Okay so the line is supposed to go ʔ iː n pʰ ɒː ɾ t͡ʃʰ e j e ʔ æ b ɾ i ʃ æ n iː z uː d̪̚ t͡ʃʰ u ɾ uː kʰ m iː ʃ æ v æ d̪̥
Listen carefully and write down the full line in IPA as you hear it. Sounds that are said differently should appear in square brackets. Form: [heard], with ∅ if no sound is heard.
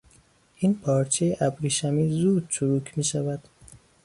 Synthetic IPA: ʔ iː n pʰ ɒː ɾ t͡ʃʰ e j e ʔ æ b ɾ i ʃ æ [m] iː z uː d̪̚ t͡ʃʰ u ɾ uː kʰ m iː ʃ æ v æ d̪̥